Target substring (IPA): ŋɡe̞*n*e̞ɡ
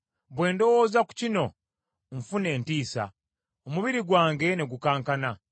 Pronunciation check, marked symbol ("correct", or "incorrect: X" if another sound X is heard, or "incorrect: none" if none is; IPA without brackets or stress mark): correct